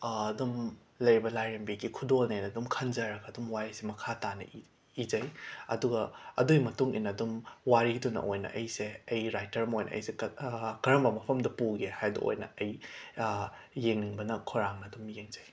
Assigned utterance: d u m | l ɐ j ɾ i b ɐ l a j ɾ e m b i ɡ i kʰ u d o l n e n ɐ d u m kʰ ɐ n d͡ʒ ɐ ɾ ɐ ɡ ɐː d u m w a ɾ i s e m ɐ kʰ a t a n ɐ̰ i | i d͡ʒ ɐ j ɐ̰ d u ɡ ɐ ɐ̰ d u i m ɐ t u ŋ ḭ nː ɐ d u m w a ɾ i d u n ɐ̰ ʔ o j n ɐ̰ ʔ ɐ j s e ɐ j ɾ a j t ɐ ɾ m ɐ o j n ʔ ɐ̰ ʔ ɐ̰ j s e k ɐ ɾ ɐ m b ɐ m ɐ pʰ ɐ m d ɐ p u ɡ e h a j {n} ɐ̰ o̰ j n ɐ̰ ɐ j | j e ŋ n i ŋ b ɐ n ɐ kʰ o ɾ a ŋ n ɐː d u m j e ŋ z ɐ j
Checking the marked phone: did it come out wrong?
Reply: yes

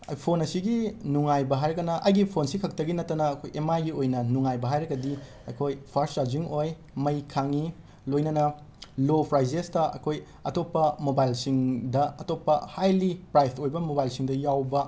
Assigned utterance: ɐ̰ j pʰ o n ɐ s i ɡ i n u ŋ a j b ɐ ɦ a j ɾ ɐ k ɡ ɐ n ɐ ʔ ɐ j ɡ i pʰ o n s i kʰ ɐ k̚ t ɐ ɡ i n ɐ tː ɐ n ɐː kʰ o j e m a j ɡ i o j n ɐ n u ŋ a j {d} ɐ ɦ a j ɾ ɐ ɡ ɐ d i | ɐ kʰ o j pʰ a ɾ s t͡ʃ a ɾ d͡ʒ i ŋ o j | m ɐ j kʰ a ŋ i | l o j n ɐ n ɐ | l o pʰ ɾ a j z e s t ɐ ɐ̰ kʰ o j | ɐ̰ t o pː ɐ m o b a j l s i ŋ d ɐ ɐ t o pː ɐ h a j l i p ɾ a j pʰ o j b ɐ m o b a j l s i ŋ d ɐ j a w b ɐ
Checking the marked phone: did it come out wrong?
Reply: yes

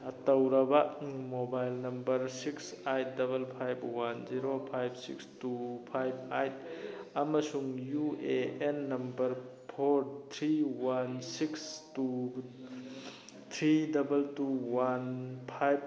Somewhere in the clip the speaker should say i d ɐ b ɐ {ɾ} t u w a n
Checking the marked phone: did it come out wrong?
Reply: yes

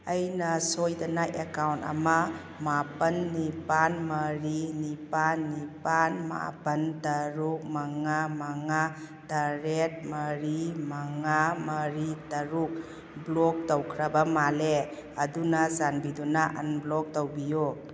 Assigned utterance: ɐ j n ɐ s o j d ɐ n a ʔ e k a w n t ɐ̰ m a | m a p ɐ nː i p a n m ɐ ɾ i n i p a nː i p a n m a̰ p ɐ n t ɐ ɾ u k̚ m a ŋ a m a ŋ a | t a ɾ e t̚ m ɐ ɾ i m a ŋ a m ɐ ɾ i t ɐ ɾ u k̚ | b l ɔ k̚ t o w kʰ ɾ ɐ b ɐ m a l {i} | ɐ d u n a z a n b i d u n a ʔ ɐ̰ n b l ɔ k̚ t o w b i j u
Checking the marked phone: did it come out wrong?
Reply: yes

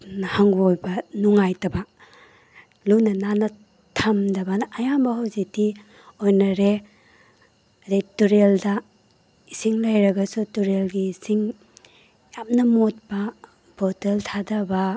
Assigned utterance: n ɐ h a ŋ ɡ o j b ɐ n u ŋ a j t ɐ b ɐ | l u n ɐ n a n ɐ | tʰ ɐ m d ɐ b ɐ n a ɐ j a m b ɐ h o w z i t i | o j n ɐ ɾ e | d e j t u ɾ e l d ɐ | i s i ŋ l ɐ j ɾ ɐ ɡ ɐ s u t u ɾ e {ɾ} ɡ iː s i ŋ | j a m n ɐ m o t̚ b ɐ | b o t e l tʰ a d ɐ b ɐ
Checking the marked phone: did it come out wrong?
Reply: yes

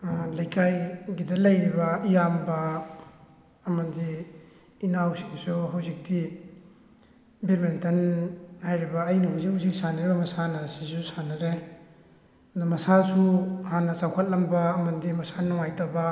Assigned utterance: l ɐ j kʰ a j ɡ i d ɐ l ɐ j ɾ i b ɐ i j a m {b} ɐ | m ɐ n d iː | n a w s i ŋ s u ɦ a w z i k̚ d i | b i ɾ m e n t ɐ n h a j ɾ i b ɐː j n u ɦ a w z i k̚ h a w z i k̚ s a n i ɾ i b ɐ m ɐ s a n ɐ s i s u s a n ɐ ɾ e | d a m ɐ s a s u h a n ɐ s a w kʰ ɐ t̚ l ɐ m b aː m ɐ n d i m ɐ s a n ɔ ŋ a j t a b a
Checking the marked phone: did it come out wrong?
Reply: no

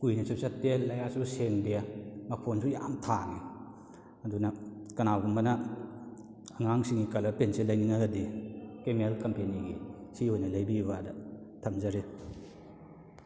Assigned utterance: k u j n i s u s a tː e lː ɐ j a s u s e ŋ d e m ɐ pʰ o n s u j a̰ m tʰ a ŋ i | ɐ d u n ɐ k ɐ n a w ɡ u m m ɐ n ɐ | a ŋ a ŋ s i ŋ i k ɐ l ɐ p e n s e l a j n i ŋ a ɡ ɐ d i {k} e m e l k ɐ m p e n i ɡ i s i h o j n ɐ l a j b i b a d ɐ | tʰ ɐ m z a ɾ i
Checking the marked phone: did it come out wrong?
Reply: no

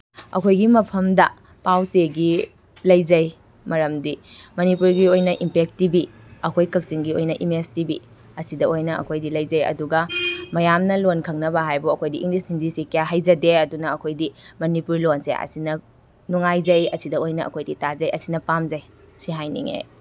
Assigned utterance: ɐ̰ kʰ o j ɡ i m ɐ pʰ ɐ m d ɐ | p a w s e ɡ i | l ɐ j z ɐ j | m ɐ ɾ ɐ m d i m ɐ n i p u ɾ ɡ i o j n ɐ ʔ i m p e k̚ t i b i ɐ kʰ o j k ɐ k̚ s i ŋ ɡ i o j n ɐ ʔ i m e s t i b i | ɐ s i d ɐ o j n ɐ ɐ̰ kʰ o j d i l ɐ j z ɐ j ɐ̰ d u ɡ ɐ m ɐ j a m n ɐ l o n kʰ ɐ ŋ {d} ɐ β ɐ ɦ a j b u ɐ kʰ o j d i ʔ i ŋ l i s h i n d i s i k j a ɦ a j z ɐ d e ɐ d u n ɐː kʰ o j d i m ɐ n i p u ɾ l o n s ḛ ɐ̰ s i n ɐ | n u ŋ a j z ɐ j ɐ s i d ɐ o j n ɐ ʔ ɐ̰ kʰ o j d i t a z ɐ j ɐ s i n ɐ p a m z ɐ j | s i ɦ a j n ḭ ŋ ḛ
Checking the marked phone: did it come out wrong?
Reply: yes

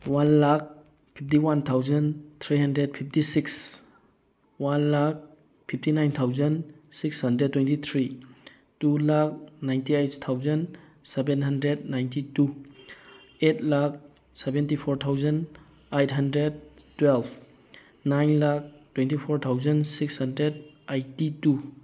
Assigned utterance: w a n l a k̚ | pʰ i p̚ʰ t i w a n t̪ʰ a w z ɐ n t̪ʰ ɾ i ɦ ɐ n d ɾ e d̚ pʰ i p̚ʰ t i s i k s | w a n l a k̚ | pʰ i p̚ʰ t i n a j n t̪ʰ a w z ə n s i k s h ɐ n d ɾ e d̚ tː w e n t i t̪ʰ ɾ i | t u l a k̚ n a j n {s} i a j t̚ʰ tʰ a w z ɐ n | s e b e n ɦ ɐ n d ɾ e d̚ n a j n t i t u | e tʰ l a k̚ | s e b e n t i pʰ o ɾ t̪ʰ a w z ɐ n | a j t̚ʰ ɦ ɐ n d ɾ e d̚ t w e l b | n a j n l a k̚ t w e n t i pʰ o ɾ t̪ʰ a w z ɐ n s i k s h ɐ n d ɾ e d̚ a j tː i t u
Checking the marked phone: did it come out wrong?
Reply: yes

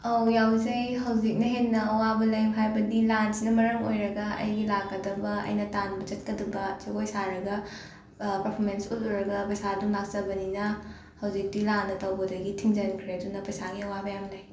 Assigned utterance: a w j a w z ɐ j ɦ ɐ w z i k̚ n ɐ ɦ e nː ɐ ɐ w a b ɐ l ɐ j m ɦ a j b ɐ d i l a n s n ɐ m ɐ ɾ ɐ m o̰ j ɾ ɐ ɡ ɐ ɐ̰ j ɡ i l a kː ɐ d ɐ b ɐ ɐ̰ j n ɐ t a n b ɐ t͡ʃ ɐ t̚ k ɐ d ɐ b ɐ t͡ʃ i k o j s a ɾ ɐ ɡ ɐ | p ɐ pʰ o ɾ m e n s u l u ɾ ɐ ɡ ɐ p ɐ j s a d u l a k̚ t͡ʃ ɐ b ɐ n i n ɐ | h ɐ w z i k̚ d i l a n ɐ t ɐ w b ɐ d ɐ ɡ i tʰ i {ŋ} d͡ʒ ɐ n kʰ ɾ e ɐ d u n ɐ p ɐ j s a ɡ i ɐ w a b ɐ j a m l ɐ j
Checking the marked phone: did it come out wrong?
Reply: no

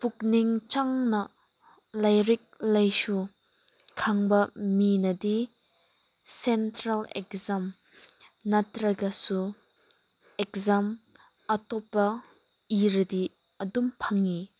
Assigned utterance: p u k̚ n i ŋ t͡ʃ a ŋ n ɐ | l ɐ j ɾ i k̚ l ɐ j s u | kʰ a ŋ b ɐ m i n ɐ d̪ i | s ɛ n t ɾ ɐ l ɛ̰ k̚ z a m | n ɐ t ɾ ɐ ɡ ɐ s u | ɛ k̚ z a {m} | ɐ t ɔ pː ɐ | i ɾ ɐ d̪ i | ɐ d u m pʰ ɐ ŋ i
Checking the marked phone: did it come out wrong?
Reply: no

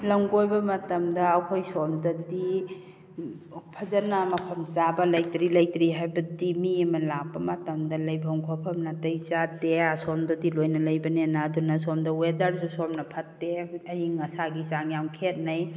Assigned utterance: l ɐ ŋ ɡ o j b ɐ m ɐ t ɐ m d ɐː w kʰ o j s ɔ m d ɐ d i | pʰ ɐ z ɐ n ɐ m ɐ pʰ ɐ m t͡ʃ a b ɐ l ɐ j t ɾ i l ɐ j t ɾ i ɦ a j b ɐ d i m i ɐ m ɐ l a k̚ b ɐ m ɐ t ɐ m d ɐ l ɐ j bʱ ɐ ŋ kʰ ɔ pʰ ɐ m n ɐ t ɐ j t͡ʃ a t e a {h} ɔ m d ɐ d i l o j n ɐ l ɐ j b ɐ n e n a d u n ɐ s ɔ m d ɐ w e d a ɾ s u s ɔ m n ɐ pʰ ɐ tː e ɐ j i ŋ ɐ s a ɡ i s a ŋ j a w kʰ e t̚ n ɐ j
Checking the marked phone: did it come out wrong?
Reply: yes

